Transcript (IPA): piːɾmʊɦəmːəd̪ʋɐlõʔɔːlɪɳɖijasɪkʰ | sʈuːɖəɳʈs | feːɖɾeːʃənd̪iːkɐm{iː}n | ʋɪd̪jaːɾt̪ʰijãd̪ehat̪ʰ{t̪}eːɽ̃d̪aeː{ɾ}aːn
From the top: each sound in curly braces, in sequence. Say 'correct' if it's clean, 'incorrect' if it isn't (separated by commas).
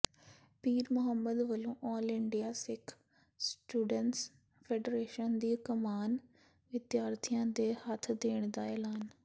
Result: incorrect, incorrect, incorrect